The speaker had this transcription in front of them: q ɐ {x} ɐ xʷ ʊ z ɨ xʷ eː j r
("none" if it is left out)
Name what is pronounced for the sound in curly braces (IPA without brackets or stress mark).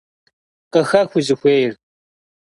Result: x